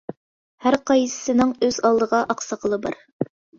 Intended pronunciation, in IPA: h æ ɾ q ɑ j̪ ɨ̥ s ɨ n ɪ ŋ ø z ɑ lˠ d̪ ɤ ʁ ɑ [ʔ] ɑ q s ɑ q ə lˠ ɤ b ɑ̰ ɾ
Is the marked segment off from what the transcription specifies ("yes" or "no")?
no